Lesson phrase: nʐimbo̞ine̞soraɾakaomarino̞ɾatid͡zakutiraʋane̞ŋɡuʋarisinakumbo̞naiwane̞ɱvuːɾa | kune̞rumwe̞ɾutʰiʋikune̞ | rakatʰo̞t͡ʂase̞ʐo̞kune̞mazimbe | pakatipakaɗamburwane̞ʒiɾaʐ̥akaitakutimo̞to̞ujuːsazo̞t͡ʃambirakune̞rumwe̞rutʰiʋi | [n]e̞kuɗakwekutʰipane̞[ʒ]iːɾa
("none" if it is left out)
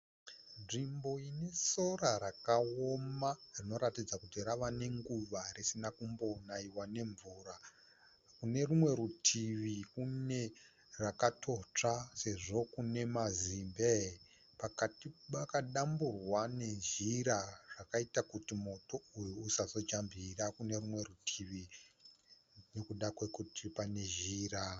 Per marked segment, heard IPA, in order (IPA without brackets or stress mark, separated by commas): n, ʒ